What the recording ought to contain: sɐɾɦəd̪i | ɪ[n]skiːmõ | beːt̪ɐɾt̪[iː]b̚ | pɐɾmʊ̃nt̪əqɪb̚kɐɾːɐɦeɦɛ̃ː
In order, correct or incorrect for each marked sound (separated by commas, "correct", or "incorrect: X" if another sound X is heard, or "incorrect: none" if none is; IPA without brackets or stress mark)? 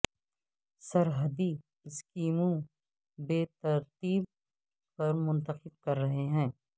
incorrect: none, correct